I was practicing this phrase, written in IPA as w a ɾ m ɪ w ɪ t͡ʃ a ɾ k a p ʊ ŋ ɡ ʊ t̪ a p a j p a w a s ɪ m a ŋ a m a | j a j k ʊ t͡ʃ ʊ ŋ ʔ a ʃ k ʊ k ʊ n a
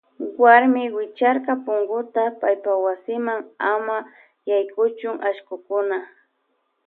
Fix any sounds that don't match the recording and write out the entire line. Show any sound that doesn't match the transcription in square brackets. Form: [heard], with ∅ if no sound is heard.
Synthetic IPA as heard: w a ɾ m ɪ w ɪ t͡ʃ a ɾ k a p ʊ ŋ ɡ ʊ t̪ a p a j p a w a s ɪ m a ŋ a m a | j a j k ʊ t͡ʃ ʊ ŋ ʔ a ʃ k ʊ k ʊ n a